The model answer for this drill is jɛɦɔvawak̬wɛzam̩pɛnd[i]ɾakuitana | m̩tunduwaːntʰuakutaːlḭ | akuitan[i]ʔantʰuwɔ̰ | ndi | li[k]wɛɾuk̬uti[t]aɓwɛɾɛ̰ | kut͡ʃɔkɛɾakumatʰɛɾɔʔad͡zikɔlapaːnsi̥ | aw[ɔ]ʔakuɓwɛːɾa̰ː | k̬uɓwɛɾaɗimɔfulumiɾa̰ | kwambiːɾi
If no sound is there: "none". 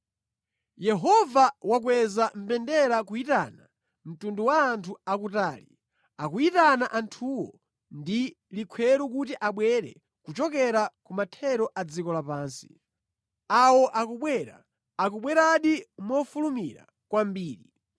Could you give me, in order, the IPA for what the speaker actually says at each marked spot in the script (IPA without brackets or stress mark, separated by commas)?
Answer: ɛ, a, kʰ, ʔ, ɔ